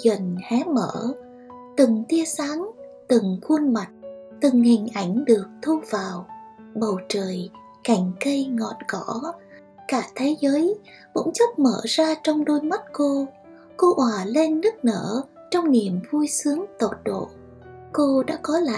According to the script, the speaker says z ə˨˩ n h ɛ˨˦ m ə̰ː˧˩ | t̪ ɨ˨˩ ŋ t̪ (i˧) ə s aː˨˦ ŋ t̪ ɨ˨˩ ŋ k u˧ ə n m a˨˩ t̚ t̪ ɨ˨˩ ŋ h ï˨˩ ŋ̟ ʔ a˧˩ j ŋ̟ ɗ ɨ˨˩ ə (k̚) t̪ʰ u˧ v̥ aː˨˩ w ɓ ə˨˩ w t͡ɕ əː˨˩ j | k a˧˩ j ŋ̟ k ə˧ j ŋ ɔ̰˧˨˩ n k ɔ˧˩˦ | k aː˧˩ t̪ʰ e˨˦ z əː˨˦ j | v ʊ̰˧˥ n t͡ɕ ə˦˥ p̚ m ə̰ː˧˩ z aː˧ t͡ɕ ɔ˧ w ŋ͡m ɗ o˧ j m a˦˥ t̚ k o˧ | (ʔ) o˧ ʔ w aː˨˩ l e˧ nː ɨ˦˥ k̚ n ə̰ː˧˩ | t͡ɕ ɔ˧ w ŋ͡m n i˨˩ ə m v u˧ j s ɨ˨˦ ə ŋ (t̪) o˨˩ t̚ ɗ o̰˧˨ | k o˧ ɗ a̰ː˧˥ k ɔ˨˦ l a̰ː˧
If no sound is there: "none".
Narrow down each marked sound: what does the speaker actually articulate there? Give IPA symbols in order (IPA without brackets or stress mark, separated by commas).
i˧, k̚, k, t̪